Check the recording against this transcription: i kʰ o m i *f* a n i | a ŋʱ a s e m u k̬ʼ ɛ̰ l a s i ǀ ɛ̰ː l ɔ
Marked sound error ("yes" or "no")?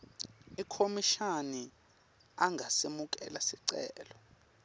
yes